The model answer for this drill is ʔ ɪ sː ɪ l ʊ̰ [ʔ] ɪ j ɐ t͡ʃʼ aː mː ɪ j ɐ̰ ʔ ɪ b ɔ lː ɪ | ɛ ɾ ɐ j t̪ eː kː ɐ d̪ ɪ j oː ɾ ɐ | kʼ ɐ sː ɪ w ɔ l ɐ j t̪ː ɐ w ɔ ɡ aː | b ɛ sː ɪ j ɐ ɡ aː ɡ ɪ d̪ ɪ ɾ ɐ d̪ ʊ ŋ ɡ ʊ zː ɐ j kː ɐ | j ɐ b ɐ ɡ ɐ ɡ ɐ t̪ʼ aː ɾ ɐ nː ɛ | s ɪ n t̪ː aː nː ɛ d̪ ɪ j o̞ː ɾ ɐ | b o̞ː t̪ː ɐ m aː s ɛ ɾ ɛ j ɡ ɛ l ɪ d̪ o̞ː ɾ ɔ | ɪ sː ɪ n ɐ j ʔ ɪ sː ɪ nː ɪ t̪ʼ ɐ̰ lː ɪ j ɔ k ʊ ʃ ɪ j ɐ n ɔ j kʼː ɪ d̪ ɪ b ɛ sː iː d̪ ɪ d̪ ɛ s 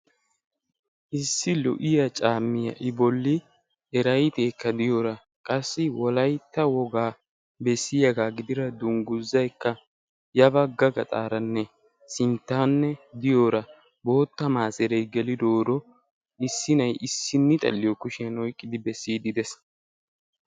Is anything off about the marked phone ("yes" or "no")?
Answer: no